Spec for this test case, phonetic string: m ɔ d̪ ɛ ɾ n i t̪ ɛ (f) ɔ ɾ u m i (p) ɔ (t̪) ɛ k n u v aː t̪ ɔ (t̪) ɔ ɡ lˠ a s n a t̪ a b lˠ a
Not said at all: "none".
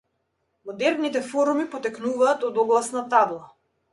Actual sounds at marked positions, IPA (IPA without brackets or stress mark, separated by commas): f, p, t̪, d̪